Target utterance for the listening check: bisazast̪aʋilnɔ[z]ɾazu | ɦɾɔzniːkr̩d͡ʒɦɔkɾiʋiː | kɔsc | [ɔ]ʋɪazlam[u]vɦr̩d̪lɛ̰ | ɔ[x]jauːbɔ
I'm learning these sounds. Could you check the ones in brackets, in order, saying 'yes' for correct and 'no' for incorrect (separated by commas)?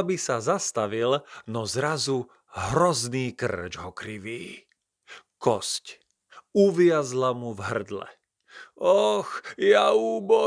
yes, no, yes, yes